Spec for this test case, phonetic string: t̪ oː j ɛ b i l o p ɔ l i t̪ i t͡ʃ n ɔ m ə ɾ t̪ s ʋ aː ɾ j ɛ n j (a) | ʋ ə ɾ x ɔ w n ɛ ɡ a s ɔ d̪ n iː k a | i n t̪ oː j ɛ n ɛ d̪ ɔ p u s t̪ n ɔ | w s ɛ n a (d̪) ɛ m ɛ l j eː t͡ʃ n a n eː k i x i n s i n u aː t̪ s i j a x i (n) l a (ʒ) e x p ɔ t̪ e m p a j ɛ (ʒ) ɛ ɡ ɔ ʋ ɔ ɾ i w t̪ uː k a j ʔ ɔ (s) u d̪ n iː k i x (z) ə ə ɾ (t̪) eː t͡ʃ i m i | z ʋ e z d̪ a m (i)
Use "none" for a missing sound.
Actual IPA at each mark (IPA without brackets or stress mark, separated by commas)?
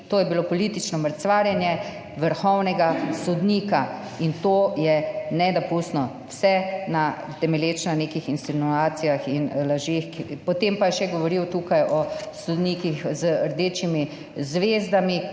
ɛ, t̪, n, ʒ, ʃ, s, z, d̪, i